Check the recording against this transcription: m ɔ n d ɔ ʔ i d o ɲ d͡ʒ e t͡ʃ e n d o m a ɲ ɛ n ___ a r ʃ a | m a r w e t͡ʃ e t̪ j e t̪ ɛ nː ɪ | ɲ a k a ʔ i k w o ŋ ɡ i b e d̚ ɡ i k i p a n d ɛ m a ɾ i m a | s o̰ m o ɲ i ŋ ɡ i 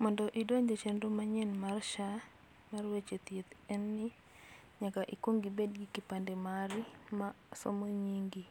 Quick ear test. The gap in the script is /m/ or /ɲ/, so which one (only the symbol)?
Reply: m